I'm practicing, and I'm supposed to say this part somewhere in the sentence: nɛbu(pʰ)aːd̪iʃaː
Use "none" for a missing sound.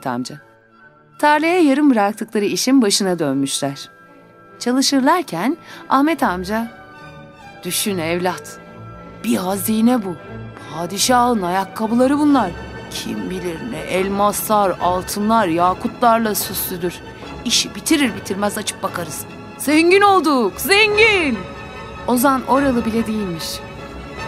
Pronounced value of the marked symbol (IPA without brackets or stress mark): pʰ